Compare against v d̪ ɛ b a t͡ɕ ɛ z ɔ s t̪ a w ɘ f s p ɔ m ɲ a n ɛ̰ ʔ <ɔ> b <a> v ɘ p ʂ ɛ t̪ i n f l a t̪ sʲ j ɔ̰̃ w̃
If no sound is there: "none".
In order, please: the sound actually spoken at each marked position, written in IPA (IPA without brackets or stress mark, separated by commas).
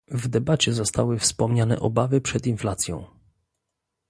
ɔ, a